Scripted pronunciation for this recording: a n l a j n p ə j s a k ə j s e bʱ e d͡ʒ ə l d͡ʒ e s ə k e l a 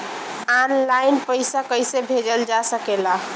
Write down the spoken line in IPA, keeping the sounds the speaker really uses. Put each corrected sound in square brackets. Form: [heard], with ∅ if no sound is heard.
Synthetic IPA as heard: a n l a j n p ə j s a k ə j s e bʱ e d͡ʒ ə l d͡ʒ [a] s ə k e l a